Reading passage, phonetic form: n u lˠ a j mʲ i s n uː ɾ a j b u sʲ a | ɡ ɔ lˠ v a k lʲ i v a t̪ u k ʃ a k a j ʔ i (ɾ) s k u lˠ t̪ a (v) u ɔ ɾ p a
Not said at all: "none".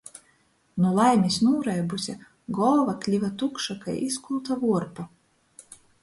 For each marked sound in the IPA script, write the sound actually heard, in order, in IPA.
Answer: none, v

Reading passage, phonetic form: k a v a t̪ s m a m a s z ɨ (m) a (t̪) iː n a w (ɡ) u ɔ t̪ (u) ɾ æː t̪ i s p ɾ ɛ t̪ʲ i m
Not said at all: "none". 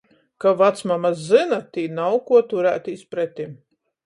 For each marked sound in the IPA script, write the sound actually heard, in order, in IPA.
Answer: n, t̪, k, u

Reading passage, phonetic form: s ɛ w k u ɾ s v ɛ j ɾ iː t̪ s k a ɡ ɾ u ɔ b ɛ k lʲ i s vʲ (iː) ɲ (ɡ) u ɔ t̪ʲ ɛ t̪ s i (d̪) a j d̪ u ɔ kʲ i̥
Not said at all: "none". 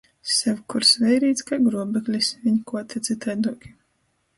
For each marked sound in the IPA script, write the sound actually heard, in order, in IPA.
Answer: i, k, t̪

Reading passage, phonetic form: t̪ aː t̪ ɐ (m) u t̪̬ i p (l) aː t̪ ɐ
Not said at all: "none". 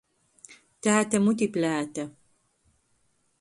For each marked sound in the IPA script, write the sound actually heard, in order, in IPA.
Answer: m, l

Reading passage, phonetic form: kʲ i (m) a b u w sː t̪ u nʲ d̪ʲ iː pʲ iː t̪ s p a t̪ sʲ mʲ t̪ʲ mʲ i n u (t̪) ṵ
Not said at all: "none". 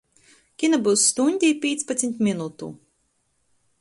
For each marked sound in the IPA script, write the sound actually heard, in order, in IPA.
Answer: n, t̪

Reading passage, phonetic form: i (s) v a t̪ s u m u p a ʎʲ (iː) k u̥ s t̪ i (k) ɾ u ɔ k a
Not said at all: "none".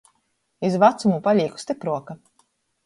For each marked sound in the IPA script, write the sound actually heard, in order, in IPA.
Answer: z, iː, p

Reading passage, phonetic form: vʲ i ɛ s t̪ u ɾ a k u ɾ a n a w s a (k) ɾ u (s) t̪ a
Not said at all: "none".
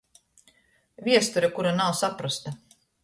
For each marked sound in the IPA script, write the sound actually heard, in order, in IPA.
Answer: p, s

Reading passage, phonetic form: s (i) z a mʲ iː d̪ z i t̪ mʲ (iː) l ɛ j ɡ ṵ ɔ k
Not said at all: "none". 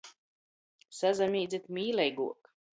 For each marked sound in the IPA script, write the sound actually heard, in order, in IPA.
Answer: a, iː

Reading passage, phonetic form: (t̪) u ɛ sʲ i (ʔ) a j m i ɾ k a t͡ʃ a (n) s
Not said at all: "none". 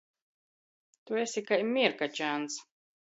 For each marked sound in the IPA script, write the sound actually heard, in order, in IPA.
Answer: t̪, k, n

